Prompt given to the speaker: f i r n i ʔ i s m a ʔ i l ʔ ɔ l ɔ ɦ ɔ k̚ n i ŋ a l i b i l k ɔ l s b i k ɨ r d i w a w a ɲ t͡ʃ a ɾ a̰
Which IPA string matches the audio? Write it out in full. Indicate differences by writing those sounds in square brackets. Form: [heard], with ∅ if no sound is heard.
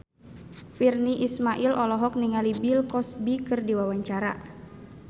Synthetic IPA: f i r n i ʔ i s m a ʔ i l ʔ ɔ l ɔ ɦ ɔ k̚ n i ŋ a l i b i l k ɔ [∅] s b i k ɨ r d i w a w a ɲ t͡ʃ a ɾ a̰